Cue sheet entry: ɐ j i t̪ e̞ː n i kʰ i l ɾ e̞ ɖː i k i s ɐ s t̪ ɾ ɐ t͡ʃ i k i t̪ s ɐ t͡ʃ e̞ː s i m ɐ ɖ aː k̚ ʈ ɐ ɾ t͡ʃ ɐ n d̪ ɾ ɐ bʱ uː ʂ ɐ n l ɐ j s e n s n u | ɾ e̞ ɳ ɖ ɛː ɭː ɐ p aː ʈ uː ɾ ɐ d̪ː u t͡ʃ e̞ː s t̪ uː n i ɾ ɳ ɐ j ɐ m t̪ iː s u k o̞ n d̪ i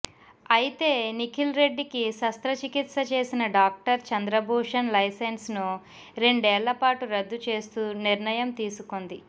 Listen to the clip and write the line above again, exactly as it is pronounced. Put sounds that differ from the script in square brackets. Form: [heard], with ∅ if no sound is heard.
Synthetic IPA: ɐ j i t̪ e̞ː n i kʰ i l ɾ e̞ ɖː i k i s ɐ s t̪ ɾ ɐ t͡ʃ i k i t̪ s ɐ t͡ʃ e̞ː s i [n] ɐ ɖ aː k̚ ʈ ɐ ɾ t͡ʃ ɐ n d̪ ɾ ɐ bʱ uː ʂ ɐ n l ɐ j s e n s n u | ɾ e̞ ɳ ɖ ɛː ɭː ɐ p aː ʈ [u] ɾ ɐ d̪ː u t͡ʃ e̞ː s t̪ uː n i ɾ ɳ ɐ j ɐ m t̪ iː s u k o̞ n d̪ i

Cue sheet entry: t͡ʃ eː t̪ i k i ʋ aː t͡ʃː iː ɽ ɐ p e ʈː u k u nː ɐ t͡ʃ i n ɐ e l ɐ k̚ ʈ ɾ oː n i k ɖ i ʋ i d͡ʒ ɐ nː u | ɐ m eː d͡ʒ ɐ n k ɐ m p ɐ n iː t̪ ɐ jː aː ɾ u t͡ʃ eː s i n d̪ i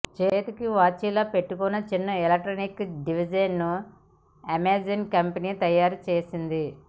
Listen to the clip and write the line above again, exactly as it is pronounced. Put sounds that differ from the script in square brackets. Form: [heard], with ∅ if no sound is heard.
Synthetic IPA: t͡ʃ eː t̪ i k i ʋ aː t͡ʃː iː [l] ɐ p e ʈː u k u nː ɐ t͡ʃ i [nː] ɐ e l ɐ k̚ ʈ ɾ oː n i k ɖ i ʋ i d͡ʒ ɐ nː u | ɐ m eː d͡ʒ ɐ n k ɐ m p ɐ n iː t̪ ɐ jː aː ɾ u t͡ʃ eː s i n d̪ i

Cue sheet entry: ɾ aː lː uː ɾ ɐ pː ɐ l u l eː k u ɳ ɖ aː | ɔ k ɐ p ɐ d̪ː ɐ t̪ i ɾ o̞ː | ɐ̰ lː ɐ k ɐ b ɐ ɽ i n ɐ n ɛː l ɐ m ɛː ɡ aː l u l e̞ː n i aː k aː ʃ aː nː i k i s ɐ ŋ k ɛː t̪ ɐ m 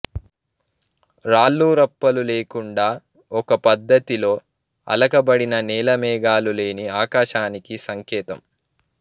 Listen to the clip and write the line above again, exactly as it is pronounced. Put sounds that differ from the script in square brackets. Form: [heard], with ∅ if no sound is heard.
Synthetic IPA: ɾ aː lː uː ɾ ɐ pː ɐ l u l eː k u ɳ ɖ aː | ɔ k ɐ p ɐ d̪ː ɐ t̪ i [l] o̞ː | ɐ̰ [l] ɐ k ɐ b ɐ ɽ i n ɐ n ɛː l ɐ m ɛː ɡ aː l u l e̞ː n i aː k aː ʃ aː [n] i k i s ɐ ŋ k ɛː t̪ ɐ m

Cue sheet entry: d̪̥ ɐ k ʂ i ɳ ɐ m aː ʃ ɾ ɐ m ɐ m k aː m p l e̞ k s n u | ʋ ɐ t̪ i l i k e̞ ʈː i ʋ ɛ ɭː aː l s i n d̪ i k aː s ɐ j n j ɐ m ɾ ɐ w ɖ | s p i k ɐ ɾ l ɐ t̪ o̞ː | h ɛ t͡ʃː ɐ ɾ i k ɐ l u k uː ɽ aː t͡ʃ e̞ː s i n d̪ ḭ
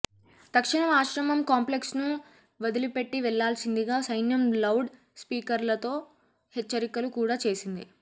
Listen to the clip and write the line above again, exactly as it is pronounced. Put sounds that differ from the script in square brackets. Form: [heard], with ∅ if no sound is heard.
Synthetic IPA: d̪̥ ɐ k ʂ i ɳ ɐ m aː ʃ ɾ ɐ m ɐ m k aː m p l e̞ k s n u | ʋ ɐ [d̪] i l i [p] e̞ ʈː i ʋ ɛ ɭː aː l s i n d̪ i [ɡ] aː s ɐ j n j ɐ m [l] ɐ w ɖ | s p [iː] k ɐ ɾ l ɐ t̪ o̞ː | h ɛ t͡ʃː ɐ ɾ i k ɐ l u k uː ɽ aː t͡ʃ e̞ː s i n d̪ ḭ

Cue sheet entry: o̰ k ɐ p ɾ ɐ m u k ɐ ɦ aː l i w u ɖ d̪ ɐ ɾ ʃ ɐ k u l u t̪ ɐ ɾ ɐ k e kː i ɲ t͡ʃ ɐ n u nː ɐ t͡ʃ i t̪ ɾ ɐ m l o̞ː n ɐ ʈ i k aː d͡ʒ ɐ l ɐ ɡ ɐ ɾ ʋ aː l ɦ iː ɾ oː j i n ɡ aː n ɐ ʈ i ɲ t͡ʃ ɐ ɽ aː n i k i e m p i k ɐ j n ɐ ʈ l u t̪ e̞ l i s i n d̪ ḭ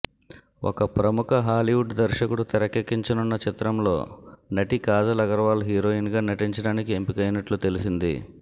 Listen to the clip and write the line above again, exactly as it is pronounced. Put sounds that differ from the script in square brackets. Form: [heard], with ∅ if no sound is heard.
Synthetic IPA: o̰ k ɐ p ɾ ɐ m u k ɐ ɦ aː l i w u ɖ d̪ ɐ ɾ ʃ ɐ k u [ɽ] u t̪ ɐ ɾ ɐ k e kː i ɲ t͡ʃ ɐ n u nː ɐ t͡ʃ i t̪ ɾ ɐ m l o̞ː n ɐ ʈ i k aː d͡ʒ ɐ l ɐ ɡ ɐ ɾ ʋ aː l ɦ iː ɾ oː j i n ɡ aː n ɐ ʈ i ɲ t͡ʃ ɐ ɽ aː n i k i e m p i k ɐ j n ɐ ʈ l u t̪ e̞ l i s i n d̪ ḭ

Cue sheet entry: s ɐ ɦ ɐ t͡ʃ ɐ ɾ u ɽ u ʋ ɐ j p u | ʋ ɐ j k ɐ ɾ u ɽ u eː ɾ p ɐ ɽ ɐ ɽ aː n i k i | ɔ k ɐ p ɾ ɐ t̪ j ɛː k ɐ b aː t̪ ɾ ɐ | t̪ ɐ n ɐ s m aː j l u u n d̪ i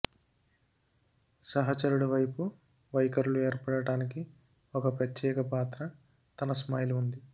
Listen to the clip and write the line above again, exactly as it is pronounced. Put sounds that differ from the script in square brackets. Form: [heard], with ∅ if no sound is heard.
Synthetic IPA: s ɐ ɦ ɐ t͡ʃ ɐ ɾ u ɽ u ʋ ɐ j p u | ʋ ɐ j k ɐ ɾ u [l] u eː ɾ p ɐ ɽ ɐ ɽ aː n i k i | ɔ k ɐ p ɾ ɐ t̪ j ɛː k ɐ [p] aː t̪ ɾ ɐ | t̪ ɐ n ɐ s m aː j l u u n d̪ i

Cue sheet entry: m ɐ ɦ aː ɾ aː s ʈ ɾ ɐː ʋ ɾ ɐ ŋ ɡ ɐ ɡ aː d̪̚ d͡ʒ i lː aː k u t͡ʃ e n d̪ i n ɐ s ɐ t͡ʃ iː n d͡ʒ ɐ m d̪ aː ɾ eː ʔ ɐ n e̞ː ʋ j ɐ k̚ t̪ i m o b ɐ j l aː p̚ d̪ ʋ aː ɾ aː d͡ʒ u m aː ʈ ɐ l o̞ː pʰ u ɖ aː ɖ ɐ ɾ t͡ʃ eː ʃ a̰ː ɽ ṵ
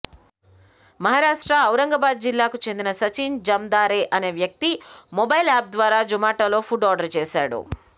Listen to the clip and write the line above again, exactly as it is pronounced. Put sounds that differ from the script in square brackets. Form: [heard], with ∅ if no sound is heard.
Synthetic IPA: m ɐ ɦ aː ɾ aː [ʂ] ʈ ɾ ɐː [w] ɾ ɐ ŋ ɡ ɐ [b] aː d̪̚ d͡ʒ i lː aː k u t͡ʃ e n d̪ i n ɐ s ɐ t͡ʃ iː n d͡ʒ ɐ m d̪ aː ɾ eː ʔ ɐ n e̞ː ʋ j ɐ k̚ t̪ i m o b ɐ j l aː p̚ d̪ ʋ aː ɾ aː d͡ʒ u m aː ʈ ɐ l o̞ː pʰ u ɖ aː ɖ ɐ ɾ t͡ʃ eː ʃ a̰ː ɽ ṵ

